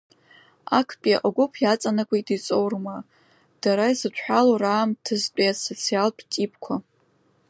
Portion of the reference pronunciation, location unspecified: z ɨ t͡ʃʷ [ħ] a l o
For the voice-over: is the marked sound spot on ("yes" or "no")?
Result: yes